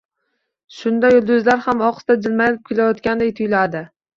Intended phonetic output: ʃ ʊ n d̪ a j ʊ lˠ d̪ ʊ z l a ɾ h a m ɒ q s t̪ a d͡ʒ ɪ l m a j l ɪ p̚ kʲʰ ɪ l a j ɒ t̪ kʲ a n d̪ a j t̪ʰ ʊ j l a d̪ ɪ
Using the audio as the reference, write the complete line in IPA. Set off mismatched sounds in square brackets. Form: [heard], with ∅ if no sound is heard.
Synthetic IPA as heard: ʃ ʊ n d̪ a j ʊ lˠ d̪ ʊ z l a ɾ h a m ɒ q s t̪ a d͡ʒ ɪ l m a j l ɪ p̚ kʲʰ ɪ l a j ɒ t̪ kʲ a n d̪ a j t̪ʰ ʊ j l a d̪ ɪ